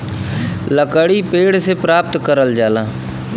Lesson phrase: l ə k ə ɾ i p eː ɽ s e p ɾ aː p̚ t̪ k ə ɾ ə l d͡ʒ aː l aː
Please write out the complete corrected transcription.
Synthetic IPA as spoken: l ə k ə ɽ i p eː ɽ s e p ɾ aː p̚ t̪ k ə ɾ ə l d͡ʒ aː l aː